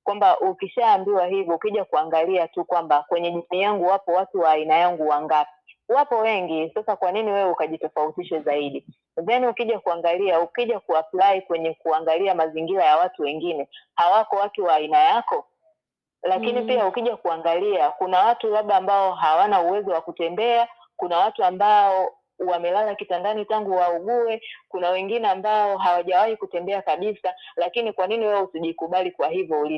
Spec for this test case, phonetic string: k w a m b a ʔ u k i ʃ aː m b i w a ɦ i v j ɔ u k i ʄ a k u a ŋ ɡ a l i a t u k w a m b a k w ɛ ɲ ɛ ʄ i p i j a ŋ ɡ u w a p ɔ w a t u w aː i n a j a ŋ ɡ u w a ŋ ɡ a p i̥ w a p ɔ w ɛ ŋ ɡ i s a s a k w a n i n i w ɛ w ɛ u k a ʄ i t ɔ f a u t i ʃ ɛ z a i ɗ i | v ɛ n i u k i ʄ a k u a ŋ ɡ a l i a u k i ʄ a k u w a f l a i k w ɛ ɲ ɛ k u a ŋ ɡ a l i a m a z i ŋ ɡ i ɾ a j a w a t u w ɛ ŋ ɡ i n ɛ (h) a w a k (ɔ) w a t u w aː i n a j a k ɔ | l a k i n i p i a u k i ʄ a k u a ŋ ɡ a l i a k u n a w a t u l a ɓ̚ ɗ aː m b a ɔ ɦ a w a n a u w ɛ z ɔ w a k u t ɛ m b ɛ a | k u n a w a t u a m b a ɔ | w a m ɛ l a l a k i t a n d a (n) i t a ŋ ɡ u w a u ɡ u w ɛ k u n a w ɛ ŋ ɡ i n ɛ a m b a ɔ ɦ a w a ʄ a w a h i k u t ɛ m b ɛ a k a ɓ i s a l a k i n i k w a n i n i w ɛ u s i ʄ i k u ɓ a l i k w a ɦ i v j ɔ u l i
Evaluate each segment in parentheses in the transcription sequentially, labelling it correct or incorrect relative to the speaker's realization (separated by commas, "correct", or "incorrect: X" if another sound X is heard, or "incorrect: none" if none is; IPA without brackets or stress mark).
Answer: correct, correct, correct